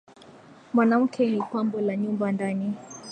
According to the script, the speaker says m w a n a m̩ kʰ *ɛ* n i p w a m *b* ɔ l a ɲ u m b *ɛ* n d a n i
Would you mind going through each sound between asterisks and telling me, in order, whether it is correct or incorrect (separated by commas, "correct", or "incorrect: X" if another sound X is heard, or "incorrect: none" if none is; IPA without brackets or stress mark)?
correct, correct, incorrect: a